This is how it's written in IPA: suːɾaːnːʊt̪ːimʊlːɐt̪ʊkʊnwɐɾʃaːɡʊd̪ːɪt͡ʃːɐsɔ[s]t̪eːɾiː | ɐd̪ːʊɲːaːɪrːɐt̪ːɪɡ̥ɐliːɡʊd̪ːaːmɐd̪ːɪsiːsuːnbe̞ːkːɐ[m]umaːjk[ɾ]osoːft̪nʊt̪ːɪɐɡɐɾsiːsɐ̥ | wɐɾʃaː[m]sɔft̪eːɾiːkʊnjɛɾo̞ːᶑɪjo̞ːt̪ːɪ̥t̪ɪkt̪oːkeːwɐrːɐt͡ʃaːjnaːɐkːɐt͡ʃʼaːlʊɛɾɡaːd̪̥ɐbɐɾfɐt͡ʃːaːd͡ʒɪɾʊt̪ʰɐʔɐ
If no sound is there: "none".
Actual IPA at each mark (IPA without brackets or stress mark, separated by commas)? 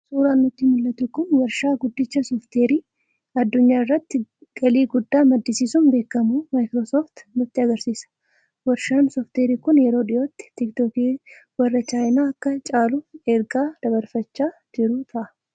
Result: f, m, ɾ, n